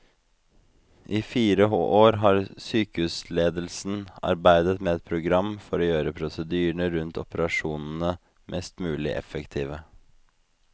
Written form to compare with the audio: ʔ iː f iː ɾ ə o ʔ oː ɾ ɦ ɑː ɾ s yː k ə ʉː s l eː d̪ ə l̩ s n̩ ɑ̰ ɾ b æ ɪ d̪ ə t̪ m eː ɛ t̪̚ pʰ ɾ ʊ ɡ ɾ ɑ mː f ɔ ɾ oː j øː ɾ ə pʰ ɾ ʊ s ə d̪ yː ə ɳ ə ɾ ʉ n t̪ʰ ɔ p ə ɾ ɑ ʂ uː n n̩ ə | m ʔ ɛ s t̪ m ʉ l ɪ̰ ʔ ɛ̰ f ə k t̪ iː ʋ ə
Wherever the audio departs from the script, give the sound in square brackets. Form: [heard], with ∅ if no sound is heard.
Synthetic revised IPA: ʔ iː f iː ɾ ə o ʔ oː ɾ ɦ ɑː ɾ s yː k ə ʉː s l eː d̪ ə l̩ s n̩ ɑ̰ ɾ b æ ɪ d̪ ə t̪ m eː ɛ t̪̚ pʰ ɾ ʊ ɡ ɾ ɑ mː f ɔ ɾ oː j øː ɾ ə pʰ ɾ ʊ s ə d̪ yː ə ɳ ə ɾ ʉ n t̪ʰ ɔ p ə ɾ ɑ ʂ uː n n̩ ə | m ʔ ɛ s t̪ m [ʉː] l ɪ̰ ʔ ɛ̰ f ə k [t̪ʰ] iː ʋ ə

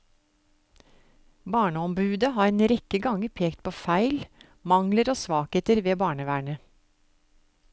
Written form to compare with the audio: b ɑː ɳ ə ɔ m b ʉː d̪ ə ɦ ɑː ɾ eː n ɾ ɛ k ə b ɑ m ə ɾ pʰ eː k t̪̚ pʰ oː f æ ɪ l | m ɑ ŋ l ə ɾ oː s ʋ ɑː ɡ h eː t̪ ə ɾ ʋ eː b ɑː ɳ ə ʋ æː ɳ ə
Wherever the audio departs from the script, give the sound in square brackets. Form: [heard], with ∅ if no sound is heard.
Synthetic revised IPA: b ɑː ɳ ə ɔ m b ʉː d̪ ə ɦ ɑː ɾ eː n ɾ ɛ k ə [ɡ] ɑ [ŋ] ə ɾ pʰ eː k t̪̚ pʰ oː f æ ɪ l | m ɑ ŋ l ə ɾ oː s ʋ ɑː [k] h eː t̪ ə ɾ ʋ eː b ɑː ɳ ə ʋ æː ɳ ə

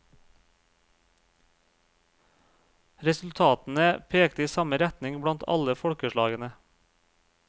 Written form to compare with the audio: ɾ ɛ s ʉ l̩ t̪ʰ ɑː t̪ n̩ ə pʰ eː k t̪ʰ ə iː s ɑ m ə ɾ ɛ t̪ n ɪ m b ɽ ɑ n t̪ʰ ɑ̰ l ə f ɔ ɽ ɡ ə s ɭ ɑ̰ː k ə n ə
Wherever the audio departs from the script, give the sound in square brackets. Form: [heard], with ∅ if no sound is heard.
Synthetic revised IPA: ɾ ɛ s ʉ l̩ t̪ʰ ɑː t̪ n̩ ə pʰ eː k [t̪] ə iː s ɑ m ə ɾ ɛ t̪ n ɪ [ŋ] b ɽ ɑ n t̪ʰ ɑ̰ l ə f ɔ ɽ [k] ə [ʃ] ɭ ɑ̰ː [ɡ] ə n ə

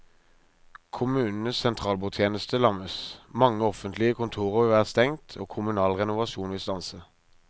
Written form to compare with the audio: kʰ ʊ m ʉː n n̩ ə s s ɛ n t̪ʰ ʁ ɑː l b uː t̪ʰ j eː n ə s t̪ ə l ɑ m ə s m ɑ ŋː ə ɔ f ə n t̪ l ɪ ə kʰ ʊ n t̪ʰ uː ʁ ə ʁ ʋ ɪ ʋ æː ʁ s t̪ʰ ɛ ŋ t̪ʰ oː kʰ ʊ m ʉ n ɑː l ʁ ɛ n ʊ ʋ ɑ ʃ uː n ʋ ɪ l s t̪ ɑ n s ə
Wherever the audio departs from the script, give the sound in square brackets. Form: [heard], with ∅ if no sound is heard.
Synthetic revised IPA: kʰ ʊ m ʉː n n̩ ə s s ɛ n t̪ʰ ʁ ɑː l b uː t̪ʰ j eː n ə s t̪ ə l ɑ m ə s m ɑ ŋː ə ɔ f ə n t̪ l ɪ ə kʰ ʊ n t̪ʰ uː ʁ ə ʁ ʋ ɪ ʋ æː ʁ s [t̪] ɛ ŋ t̪ʰ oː kʰ ʊ m ʉ n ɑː l ʁ ɛ n ʊ ʋ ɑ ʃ uː n ʋ ɪ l s t̪ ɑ n s ə

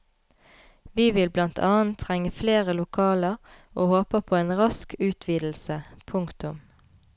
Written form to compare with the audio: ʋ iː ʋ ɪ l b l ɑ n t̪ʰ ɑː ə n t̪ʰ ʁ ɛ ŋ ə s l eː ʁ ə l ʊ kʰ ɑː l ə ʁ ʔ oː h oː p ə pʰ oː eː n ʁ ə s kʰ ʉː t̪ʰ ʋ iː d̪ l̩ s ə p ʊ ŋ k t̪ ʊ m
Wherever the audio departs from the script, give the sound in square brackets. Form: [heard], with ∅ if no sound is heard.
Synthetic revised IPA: ʋ iː ʋ ɪ l b l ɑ n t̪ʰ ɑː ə n t̪ʰ ʁ ɛ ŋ ə [f] l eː ʁ ə l ʊ kʰ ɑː l ə ʁ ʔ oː h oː p ə pʰ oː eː n ʁ [ɑ] s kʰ ʉː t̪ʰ ʋ iː d̪ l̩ s ə [pʰ] ʊ ŋ k t̪ ʊ m

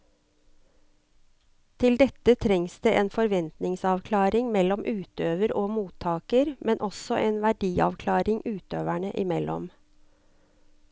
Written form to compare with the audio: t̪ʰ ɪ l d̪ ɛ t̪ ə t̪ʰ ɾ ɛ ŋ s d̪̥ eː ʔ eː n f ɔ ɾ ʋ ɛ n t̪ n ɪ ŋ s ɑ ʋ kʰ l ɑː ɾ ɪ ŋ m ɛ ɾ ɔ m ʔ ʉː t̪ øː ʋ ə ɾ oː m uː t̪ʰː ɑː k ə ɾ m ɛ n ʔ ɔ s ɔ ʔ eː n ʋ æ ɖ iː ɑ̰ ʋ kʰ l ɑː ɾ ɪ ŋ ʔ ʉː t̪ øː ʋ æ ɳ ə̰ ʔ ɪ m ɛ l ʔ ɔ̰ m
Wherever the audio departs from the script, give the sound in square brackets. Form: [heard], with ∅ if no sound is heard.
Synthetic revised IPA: t̪ʰ ɪ l d̪ ɛ t̪ ə t̪ʰ ɾ ɛ ŋ s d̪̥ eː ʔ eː n f ɔ ɾ ʋ ɛ n t̪ n ɪ ŋ s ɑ ʋ kʰ l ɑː ɾ ɪ ŋ m ɛ [l] ɔ m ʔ ʉː t̪ øː ʋ ə ɾ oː m uː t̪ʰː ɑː k ə ɾ m ɛ n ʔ ɔ s ɔ ʔ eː n ʋ æ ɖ iː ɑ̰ ʋ kʰ l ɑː ɾ ɪ ŋ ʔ ʉː t̪ øː ʋ æ ɳ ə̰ ʔ ɪ m ɛ l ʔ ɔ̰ m

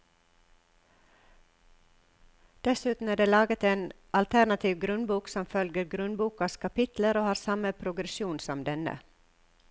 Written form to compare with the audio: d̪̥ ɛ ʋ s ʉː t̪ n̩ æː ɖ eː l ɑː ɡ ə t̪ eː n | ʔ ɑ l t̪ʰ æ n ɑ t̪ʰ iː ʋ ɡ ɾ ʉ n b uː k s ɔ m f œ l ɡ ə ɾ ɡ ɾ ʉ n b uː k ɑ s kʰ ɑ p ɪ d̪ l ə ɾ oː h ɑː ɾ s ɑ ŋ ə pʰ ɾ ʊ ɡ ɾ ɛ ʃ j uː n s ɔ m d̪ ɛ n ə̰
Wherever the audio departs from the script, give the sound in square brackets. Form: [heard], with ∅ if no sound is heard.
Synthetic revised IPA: d̪̥ ɛ [∅] s ʉː t̪ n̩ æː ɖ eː l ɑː ɡ ə t̪ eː n | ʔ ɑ l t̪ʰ æ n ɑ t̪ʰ iː ʋ ɡ ɾ ʉ n b uː k s ɔ m f œ l ɡ ə ɾ ɡ ɾ ʉ n b uː k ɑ s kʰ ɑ p ɪ [t̪] l ə ɾ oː h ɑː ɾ s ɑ [m] ə pʰ ɾ ʊ ɡ ɾ ɛ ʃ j uː n s ɔ m d̪ ɛ n ə̰

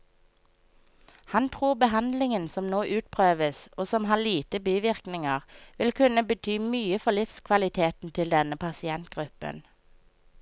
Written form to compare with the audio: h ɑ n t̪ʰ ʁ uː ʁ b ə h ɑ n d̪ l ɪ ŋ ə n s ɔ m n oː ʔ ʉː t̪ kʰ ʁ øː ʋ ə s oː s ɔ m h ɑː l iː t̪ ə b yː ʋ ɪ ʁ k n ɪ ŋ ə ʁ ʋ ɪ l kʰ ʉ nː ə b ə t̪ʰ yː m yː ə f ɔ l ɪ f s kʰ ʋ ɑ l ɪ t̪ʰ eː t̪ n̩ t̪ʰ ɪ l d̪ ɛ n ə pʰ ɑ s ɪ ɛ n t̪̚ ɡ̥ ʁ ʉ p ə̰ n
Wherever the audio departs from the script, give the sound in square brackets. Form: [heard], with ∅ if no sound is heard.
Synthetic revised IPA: h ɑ n t̪ʰ ʁ uː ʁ b ə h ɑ n d̪ l ɪ ŋ ə n s ɔ m n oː ʔ ʉː t̪ [pʰ] ʁ øː ʋ ə s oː s ɔ m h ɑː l iː t̪ ə b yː ʋ ɪ ʁ k n ɪ ŋ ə ʁ ʋ ɪ l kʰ ʉ [n] ə b ə t̪ʰ yː m yː ə f ɔ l ɪ f s kʰ ʋ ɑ l ɪ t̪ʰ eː t̪ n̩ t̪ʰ ɪ l d̪ ɛ n ə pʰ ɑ s ɪ ɛ n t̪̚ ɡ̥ ʁ ʉ p ə̰ n

